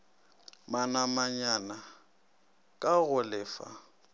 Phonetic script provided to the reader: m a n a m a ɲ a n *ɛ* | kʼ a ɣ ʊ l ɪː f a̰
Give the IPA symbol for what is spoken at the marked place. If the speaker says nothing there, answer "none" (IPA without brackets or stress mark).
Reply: a